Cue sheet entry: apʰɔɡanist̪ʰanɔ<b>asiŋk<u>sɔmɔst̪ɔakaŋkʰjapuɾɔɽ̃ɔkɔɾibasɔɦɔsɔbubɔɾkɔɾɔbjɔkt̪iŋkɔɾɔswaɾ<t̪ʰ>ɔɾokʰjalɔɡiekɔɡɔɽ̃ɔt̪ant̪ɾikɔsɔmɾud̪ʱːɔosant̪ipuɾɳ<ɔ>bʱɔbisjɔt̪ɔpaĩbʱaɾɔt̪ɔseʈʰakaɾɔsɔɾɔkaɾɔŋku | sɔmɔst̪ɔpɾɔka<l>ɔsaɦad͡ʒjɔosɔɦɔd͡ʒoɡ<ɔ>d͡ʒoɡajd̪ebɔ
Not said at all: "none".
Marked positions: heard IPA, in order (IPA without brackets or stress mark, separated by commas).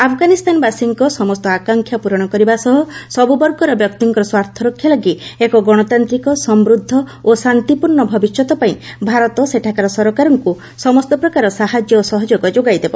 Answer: b, ɔ, t̪ʰ, ɔ, ɾ, ɔ